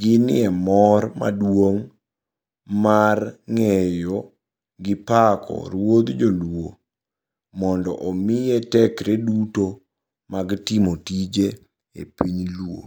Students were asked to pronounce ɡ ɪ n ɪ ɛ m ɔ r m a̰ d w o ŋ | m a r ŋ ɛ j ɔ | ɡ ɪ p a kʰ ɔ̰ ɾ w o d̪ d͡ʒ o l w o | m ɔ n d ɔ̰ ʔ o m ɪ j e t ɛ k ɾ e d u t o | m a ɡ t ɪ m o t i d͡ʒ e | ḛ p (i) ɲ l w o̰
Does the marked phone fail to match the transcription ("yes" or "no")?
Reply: no